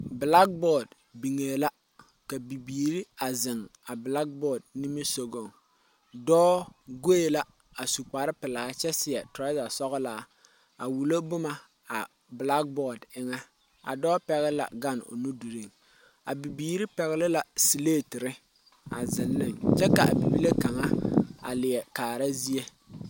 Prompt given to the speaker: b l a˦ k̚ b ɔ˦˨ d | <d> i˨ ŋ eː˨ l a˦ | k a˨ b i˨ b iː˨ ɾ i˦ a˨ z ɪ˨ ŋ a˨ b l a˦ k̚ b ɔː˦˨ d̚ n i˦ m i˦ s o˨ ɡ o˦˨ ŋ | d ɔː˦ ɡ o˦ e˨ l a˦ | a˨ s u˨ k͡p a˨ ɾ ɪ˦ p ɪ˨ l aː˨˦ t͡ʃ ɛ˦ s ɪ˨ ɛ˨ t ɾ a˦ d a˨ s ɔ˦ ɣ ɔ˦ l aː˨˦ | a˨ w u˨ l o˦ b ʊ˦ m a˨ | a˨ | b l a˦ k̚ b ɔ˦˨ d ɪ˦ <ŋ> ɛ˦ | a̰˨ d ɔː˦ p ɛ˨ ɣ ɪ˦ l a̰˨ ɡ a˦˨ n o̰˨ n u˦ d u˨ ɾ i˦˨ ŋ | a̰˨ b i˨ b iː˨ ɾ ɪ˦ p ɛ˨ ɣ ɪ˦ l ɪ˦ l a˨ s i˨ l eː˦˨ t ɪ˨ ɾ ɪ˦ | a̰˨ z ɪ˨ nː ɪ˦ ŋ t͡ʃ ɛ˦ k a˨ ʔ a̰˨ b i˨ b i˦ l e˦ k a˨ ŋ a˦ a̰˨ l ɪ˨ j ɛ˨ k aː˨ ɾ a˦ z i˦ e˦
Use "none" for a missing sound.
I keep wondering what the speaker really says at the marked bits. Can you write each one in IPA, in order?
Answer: b, ŋ

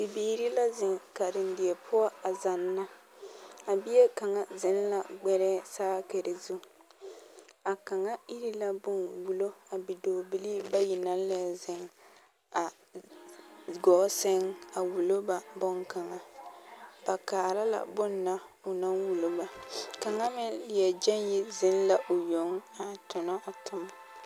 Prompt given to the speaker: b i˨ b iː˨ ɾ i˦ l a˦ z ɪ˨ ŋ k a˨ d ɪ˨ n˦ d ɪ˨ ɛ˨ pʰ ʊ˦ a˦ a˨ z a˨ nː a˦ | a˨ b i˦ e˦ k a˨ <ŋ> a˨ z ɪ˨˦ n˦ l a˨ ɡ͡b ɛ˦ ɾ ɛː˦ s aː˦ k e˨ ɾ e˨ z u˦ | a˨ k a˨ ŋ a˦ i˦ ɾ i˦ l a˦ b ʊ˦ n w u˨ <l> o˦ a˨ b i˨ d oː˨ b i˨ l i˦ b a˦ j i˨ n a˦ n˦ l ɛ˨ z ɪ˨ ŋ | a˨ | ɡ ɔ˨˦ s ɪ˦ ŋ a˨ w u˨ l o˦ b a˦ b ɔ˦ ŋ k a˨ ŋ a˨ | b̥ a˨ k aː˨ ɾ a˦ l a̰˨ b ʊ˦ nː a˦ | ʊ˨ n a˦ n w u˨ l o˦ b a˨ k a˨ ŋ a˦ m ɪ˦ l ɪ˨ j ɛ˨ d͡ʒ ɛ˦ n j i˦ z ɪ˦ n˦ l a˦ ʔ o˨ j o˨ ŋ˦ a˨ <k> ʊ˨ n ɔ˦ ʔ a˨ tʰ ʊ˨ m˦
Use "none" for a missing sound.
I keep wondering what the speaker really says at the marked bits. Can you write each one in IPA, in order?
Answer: ŋ, l, t

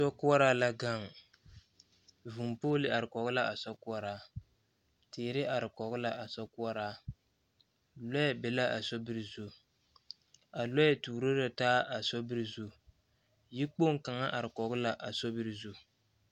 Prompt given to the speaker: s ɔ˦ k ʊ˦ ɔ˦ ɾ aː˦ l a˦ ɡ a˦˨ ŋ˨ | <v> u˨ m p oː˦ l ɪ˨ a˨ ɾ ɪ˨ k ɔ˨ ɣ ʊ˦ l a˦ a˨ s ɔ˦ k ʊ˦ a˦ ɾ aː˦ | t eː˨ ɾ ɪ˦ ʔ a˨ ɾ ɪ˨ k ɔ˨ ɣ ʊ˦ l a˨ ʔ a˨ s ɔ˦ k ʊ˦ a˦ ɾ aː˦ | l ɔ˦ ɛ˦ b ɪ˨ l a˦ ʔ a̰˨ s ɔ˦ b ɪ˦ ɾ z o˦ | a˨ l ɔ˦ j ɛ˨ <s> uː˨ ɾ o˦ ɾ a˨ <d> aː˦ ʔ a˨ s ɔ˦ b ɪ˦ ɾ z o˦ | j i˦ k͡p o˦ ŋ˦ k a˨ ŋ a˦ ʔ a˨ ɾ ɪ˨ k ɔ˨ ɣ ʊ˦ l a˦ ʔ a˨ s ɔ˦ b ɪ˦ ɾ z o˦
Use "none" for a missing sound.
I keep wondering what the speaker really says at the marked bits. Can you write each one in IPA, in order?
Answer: v, t, t

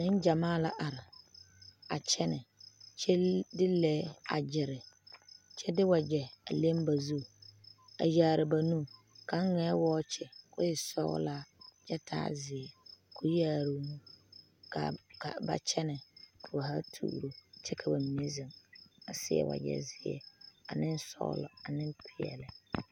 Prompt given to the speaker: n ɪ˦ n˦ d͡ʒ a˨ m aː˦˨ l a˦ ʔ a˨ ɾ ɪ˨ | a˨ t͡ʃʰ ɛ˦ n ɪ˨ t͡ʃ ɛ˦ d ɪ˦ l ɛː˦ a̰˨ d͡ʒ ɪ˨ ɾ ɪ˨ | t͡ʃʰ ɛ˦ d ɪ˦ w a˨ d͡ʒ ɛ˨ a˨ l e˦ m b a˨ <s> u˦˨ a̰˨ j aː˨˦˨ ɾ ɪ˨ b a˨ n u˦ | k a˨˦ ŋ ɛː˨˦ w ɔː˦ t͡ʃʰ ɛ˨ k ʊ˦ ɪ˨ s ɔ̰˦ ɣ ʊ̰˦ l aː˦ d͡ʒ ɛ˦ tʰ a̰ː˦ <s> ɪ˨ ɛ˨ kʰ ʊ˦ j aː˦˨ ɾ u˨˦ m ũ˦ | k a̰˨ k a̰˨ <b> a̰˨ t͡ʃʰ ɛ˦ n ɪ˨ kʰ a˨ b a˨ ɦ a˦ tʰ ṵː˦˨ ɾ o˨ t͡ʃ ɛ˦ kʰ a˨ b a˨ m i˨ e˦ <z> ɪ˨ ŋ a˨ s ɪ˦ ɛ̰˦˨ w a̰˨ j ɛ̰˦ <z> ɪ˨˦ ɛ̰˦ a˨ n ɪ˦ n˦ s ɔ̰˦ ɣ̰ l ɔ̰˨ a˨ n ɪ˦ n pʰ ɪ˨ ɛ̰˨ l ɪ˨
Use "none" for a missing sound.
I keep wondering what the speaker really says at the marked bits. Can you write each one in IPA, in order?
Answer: z, z, b, z, z

